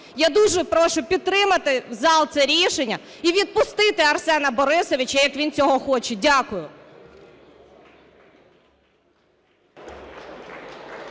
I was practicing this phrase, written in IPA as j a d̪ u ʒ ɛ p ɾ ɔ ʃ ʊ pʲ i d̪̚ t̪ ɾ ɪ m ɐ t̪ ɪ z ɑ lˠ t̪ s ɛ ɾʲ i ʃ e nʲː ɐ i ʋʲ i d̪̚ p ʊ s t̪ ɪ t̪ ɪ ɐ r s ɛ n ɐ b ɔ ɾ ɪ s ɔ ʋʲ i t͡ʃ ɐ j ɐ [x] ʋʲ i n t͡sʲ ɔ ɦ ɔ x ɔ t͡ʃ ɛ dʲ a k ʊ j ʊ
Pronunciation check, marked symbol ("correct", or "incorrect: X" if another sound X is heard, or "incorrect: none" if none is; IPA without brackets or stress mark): incorrect: k